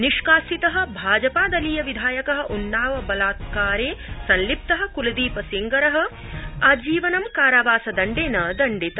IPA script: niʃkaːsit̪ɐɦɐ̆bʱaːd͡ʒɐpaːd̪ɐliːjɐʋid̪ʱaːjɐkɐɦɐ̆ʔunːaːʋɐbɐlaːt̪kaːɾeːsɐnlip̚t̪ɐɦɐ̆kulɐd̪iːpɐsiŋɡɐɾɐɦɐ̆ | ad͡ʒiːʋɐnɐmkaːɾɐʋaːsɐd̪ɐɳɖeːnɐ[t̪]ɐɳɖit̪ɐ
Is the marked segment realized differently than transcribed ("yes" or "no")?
yes